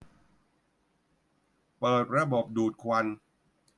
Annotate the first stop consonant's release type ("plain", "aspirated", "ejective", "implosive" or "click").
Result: plain